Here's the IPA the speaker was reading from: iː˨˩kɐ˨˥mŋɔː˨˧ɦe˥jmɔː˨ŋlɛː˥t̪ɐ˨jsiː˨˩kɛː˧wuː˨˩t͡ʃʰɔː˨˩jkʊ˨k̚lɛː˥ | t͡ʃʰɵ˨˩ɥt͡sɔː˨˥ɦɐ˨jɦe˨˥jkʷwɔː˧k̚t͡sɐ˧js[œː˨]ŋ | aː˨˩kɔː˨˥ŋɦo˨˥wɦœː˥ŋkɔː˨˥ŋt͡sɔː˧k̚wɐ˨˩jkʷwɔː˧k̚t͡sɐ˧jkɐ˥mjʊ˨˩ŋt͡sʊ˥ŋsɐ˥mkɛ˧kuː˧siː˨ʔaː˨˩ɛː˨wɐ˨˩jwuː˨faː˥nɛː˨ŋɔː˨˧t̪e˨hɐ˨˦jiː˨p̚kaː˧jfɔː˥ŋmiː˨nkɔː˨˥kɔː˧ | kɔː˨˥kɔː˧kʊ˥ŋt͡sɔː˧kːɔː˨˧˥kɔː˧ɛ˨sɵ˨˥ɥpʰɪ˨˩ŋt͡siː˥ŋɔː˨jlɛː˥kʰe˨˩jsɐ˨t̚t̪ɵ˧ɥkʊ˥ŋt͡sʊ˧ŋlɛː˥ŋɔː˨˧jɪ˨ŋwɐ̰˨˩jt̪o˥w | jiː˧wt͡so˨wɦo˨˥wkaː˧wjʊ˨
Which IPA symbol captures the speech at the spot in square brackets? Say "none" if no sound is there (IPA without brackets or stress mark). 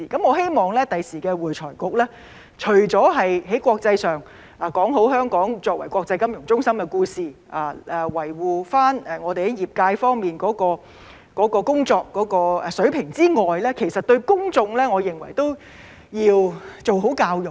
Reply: œː˨